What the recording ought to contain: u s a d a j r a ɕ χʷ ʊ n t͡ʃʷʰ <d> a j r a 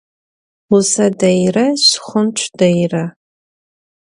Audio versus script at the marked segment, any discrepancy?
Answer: no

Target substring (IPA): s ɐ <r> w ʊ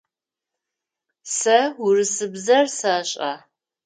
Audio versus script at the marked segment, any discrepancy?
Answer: yes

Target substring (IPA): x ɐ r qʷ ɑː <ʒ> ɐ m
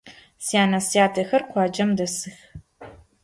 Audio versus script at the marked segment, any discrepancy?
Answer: yes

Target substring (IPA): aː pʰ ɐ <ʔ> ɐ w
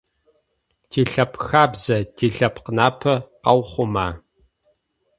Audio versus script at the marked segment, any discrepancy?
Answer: yes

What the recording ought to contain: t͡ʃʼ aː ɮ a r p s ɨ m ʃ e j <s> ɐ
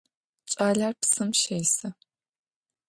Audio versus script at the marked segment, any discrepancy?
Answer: no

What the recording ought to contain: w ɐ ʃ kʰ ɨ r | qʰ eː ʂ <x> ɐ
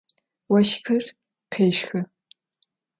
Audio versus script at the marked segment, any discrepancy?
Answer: no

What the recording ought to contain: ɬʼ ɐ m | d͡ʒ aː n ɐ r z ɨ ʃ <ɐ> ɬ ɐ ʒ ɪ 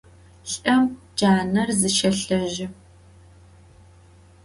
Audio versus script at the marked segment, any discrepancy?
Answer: no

